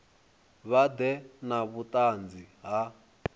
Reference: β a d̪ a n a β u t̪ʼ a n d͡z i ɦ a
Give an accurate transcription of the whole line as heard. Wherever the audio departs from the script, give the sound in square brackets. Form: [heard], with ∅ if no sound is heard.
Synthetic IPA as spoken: β a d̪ [ɛ] n a β u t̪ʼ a n d͡z i ɦ a